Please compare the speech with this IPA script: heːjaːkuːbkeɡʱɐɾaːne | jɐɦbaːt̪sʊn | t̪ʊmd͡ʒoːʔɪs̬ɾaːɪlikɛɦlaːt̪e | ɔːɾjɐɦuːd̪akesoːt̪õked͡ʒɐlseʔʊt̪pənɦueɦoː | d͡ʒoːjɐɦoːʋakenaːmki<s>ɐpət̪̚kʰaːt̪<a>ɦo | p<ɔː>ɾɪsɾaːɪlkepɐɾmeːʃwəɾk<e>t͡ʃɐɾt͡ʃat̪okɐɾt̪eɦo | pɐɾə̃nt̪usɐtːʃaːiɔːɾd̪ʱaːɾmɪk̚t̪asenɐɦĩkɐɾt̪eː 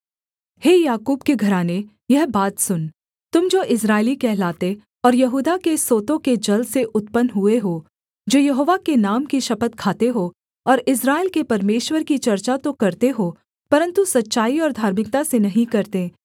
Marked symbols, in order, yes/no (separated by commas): no, no, yes, no